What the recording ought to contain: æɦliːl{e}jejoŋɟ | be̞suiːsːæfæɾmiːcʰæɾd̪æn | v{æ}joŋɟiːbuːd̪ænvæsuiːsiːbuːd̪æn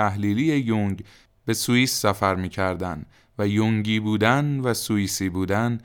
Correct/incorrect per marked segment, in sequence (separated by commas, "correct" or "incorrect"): incorrect, correct